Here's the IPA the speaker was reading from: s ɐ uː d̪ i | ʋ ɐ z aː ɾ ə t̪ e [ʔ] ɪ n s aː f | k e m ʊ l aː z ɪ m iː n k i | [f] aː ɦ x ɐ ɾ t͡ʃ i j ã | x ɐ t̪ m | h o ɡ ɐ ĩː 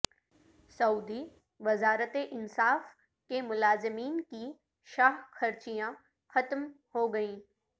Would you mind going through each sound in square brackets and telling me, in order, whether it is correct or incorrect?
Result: correct, incorrect: ʃ

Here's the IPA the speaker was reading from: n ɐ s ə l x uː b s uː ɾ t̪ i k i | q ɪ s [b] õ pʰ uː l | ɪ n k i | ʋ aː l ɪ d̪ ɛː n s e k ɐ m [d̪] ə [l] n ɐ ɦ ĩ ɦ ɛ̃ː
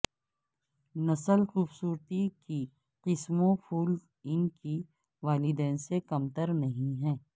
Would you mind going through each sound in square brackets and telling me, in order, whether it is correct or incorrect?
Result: incorrect: m, incorrect: t̪, incorrect: ɾ

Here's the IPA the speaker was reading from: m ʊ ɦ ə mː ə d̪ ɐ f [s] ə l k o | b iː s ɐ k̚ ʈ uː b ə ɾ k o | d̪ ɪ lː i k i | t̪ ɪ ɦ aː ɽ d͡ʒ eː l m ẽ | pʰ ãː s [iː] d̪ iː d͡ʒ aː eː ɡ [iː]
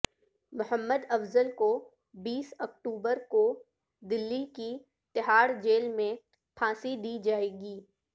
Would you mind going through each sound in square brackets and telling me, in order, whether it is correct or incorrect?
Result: incorrect: z, incorrect: i, correct

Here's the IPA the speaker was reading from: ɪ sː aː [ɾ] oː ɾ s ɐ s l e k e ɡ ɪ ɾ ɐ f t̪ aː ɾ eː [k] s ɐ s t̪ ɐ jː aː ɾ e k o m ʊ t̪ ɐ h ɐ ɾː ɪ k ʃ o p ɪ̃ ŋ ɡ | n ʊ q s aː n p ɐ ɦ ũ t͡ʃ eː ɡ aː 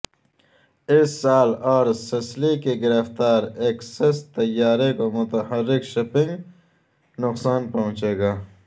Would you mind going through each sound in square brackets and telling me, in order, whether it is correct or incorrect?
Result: incorrect: l, correct

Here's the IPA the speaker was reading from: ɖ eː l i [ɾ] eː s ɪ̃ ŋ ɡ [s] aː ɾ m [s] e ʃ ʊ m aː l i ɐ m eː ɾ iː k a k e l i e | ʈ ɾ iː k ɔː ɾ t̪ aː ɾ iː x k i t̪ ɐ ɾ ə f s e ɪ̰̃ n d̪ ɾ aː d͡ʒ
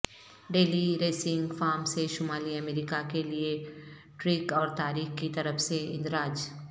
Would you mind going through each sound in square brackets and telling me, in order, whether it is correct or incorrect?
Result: correct, incorrect: f, correct

